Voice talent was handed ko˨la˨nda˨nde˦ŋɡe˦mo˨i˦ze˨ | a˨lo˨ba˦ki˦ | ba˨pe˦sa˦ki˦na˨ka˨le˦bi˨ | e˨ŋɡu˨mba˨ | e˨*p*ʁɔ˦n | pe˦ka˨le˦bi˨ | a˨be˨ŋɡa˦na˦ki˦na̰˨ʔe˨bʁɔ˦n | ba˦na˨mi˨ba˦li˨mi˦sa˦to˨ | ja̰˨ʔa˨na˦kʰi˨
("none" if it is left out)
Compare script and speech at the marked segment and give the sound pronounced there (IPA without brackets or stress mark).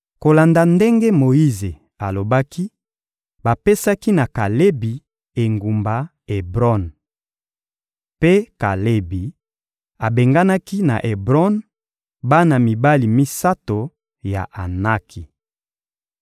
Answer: b